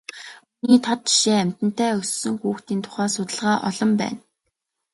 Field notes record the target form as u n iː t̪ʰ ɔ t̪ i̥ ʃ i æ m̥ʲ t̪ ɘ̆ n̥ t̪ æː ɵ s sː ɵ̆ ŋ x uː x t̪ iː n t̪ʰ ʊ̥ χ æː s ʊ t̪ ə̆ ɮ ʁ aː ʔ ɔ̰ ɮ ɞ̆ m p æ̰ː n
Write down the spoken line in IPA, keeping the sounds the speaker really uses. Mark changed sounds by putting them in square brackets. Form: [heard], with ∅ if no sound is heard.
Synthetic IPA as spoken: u n iː t̪ʰ ɔ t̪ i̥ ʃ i æ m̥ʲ t̪ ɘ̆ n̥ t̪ æː ɵ s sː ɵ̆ ŋ x uː x t̪ iː n t̪ʰ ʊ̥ χ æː s ʊ t̪ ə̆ ɮ ʁ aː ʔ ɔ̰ ɮ ɞ̆ m p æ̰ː n